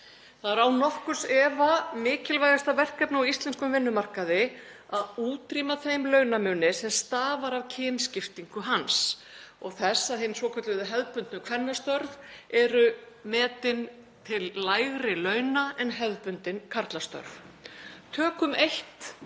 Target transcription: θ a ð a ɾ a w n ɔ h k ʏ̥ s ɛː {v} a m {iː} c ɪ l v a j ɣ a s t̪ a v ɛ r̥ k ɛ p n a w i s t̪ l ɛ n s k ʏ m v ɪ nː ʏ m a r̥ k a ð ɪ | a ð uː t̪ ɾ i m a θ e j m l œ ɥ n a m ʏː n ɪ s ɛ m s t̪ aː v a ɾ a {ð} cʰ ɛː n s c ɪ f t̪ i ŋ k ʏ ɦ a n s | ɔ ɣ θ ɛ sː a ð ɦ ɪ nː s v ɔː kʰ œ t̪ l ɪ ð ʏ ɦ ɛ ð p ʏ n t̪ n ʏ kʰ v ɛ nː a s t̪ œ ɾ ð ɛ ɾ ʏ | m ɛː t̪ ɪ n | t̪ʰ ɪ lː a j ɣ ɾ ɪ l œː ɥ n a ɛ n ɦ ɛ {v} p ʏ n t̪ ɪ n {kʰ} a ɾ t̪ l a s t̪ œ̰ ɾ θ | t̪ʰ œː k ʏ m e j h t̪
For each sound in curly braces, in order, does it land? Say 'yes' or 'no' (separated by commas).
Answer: yes, no, no, no, yes